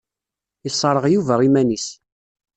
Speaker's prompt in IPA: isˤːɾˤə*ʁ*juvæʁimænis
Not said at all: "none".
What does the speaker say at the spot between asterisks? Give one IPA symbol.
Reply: ʁ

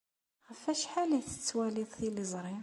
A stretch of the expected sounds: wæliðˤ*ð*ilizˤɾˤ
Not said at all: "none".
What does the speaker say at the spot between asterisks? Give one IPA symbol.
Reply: θ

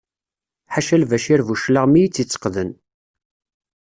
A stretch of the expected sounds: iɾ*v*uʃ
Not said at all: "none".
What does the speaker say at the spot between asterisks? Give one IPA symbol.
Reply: v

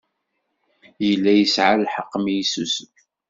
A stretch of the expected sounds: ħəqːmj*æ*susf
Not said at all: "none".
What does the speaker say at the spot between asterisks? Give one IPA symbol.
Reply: i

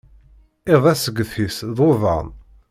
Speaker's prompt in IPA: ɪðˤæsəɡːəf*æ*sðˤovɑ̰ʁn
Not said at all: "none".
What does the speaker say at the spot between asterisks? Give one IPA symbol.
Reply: i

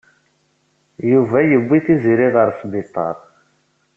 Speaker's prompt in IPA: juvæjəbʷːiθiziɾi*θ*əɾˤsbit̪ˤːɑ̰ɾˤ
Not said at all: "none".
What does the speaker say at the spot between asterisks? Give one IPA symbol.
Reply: ð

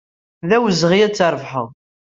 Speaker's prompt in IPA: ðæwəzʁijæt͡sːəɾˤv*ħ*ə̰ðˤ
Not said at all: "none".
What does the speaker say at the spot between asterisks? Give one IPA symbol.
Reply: ħ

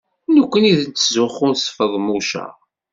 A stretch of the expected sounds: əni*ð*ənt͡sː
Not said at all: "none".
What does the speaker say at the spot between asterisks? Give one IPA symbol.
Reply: ð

